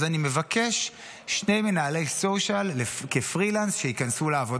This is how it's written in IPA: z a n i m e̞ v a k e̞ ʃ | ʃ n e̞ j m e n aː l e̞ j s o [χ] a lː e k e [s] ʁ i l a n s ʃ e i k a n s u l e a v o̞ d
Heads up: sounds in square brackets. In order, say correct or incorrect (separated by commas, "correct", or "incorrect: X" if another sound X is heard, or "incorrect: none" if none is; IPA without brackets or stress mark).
incorrect: ʃ, incorrect: f